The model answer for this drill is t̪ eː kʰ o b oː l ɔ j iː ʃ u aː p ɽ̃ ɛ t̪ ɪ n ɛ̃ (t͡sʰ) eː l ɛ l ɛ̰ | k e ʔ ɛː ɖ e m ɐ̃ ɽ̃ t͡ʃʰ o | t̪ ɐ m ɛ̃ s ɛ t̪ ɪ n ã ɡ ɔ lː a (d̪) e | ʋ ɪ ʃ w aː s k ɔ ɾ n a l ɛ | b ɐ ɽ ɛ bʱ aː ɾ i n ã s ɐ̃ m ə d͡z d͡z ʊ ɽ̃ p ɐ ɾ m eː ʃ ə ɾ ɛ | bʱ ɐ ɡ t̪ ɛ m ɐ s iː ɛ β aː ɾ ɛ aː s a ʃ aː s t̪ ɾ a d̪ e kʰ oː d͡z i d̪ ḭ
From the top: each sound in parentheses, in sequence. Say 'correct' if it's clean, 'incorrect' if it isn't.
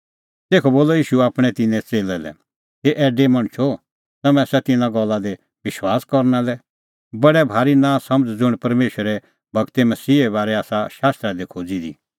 incorrect, correct

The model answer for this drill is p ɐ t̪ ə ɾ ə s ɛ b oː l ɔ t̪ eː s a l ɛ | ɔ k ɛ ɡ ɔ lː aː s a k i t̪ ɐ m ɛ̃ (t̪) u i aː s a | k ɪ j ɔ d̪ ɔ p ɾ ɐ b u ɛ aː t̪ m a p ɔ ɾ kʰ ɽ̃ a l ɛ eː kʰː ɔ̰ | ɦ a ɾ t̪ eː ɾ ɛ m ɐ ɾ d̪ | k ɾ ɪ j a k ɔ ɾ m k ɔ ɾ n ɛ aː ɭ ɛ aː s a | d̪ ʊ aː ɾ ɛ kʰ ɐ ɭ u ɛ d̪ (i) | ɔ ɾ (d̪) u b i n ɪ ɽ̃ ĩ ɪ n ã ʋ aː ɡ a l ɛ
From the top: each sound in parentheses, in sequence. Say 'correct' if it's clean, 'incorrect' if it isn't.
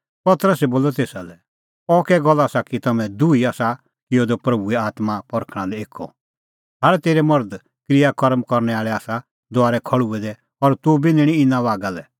incorrect, incorrect, incorrect

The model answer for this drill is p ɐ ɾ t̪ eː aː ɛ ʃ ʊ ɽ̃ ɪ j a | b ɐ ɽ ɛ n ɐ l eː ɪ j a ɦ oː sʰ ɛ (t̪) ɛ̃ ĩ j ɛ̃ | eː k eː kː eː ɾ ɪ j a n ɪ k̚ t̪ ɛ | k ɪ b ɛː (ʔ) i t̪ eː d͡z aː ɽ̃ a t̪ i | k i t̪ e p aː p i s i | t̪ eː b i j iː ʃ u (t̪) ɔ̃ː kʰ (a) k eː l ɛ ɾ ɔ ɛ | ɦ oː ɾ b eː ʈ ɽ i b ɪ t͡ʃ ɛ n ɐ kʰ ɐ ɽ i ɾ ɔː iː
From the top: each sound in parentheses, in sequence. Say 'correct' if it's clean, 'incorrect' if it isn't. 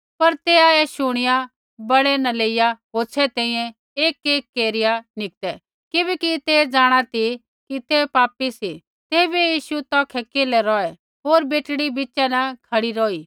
correct, incorrect, correct, incorrect

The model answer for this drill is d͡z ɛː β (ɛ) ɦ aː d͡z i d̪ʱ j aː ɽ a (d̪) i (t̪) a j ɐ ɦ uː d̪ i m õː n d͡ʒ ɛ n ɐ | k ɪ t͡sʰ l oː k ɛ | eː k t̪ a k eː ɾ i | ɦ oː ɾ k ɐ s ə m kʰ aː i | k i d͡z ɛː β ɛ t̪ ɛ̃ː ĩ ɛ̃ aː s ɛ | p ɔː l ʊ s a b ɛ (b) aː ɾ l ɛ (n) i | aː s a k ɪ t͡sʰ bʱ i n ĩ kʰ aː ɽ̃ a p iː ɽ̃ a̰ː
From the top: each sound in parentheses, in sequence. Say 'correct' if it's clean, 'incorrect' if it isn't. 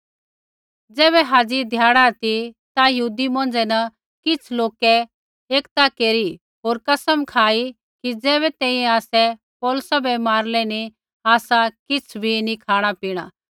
correct, incorrect, correct, incorrect, correct

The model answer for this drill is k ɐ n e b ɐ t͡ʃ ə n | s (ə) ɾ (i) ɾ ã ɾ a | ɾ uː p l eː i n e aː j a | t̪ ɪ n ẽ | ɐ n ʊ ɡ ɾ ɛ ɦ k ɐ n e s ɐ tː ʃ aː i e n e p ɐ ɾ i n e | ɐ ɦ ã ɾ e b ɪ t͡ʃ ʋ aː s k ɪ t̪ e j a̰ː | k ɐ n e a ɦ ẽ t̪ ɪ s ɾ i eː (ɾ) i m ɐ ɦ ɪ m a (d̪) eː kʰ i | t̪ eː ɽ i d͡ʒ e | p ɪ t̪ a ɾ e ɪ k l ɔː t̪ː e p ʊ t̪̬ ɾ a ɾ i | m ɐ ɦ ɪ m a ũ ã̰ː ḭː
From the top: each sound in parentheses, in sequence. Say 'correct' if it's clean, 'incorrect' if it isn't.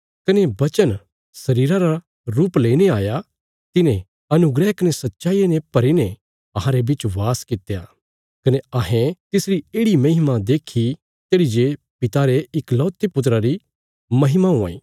incorrect, incorrect, incorrect, correct

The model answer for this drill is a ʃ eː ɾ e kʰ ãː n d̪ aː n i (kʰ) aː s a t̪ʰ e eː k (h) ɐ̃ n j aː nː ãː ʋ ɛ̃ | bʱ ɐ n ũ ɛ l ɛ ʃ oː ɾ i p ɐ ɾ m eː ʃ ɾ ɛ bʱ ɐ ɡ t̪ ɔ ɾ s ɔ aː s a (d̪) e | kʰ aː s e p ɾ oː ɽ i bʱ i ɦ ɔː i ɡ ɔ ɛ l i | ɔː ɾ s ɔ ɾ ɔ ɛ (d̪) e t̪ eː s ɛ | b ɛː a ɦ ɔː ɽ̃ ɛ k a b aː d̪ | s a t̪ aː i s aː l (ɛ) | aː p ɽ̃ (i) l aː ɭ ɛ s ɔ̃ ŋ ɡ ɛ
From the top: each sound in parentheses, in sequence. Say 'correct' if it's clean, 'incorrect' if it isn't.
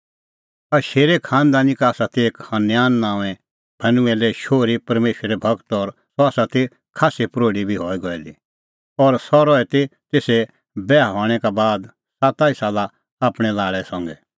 incorrect, correct, incorrect, incorrect, incorrect, incorrect

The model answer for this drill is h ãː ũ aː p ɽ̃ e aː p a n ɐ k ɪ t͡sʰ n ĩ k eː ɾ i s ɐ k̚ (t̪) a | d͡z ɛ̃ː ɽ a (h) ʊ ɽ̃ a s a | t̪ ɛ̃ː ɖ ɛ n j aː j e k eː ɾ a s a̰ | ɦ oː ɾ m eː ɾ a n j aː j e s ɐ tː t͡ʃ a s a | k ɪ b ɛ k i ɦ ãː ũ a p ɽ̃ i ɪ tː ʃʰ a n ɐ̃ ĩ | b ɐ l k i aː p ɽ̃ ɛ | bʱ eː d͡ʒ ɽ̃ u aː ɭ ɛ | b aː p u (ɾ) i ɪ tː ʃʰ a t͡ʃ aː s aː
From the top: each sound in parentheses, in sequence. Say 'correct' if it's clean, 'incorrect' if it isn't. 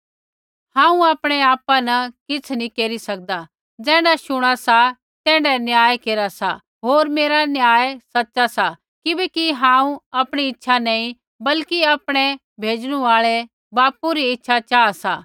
incorrect, incorrect, correct

